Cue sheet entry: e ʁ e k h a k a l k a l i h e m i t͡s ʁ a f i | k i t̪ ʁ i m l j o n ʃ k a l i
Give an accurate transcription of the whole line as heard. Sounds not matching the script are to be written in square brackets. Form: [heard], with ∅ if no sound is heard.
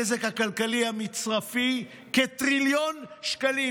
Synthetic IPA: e [z] e k h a k a l k a l i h [a] m i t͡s ʁ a f i | k [e] t̪ ʁ i [∅] l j o n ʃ k a l i

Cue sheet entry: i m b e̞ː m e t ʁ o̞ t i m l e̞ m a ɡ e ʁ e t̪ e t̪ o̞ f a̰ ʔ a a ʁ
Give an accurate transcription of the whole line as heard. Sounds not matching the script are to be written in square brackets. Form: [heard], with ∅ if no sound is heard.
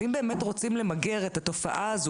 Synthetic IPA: i m b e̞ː m e t ʁ o̞ [t͡s] i m l e̞ m a ɡ e ʁ e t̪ [a] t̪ o̞ f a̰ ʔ a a [z]

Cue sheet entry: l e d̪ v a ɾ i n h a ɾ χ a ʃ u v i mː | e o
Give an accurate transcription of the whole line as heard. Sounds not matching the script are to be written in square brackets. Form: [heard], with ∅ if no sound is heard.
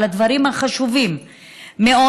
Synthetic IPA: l [a] d̪ v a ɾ i [m] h a [∅] χ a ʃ u v i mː | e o

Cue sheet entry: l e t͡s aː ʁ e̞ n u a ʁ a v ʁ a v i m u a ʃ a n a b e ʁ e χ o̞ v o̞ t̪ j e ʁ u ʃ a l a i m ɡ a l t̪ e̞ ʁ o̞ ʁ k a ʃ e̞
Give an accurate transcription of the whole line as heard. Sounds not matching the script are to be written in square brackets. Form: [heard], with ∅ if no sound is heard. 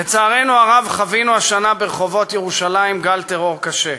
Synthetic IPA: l e t͡s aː ʁ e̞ n u a ʁ a v [χ] a v i [n] u a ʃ a n a b e ʁ e χ o̞ v o̞ t̪ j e ʁ u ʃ a l a i m ɡ a l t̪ e̞ ʁ o̞ ʁ k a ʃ e̞

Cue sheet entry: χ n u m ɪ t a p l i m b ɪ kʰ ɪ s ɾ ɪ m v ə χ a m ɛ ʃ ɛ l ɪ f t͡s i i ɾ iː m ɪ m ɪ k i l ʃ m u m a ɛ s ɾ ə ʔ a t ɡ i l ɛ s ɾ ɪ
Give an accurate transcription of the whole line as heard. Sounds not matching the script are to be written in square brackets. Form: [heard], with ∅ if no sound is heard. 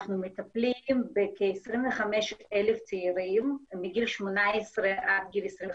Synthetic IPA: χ n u m ɪ t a p l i m b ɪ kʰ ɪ s ɾ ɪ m v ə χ a m ɛ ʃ ɛ l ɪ f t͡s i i ɾ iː m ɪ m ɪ [ɡ] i l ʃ m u [n] a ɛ s ɾ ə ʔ a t ɡ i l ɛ s ɾ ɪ

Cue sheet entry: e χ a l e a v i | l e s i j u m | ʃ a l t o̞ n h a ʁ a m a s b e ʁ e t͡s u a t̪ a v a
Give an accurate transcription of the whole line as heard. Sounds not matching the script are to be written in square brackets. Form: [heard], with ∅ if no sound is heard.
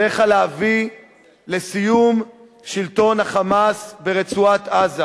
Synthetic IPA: e χ a l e a v i | l e s i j u m | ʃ [i] l t o̞ n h a [χ] a m a s b e ʁ e t͡s u a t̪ a [z] a

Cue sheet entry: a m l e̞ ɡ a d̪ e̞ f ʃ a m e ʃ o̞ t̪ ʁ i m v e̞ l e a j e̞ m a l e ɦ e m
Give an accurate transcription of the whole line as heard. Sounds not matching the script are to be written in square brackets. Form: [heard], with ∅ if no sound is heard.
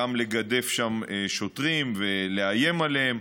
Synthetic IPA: a m l e̞ ɡ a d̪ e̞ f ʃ a m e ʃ o̞ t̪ ʁ i m v e̞ l e a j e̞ m a l e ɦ e m

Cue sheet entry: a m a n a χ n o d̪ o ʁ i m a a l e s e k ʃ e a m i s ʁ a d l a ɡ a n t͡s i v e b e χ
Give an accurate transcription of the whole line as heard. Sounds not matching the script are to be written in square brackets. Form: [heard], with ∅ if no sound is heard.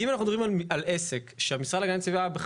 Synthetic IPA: [i] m a n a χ n [u] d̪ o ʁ i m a a l e s e k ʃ e a m i s ʁ a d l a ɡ a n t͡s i v [a] b e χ

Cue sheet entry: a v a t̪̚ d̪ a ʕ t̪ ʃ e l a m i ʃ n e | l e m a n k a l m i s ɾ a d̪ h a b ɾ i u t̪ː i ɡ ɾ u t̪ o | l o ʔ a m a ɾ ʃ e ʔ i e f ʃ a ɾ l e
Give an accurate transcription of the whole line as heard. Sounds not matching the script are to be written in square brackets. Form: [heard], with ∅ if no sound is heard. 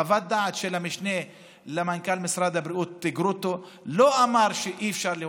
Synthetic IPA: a v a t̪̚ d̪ a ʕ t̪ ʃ e l a m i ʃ n e | l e m a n k a l m i s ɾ a d̪ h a b ɾ i u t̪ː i ɡ ɾ u t̪ o | l o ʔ a m a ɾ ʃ e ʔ i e f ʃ a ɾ l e

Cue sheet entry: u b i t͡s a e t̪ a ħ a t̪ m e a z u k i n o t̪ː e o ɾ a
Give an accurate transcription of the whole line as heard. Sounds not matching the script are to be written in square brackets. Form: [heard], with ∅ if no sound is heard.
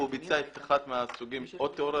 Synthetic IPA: u b i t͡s a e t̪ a [χ] a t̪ m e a [s] u [ɡ] i [m] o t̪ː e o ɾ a

